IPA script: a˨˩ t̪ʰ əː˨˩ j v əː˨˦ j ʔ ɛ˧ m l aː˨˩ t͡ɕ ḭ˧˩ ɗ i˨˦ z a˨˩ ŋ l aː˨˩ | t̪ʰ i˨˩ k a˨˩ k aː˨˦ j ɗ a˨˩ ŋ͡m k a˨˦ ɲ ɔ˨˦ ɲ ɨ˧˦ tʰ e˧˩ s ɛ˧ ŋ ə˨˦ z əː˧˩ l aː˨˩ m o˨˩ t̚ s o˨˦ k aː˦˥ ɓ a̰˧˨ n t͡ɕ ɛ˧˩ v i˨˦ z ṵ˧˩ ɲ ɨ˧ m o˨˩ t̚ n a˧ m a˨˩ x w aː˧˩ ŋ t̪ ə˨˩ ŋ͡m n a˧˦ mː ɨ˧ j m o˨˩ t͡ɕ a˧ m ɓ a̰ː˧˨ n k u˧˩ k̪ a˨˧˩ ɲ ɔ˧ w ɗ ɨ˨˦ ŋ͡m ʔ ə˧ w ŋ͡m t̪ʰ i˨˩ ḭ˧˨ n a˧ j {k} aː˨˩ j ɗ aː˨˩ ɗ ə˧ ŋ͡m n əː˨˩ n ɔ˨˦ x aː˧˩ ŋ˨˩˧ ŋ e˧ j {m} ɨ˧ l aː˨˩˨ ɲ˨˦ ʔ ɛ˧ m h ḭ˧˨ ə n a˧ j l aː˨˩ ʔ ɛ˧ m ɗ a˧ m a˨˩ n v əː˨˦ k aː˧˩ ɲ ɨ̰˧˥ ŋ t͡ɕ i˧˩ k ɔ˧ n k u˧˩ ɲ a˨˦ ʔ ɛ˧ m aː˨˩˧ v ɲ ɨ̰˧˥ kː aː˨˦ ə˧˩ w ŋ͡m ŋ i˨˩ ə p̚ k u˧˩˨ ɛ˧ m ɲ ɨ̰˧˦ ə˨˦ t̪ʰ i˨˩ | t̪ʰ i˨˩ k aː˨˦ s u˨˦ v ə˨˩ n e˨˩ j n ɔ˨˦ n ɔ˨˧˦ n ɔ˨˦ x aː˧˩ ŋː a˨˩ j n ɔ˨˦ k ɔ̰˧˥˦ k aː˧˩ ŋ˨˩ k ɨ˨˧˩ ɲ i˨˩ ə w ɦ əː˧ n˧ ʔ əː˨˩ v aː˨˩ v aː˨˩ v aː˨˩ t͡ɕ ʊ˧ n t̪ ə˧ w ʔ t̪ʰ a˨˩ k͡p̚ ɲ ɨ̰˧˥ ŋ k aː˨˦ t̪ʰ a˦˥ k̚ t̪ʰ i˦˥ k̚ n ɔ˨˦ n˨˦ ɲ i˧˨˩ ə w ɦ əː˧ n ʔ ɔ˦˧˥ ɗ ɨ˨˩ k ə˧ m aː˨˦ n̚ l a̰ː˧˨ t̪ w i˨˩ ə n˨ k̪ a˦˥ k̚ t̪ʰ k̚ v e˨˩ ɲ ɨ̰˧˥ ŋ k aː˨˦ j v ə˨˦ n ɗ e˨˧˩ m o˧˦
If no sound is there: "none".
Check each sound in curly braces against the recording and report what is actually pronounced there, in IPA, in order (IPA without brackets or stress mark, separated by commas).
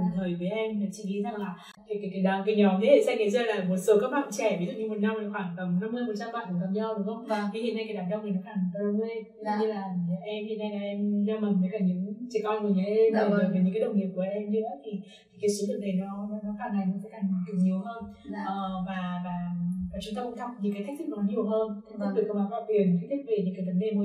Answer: k, ɲ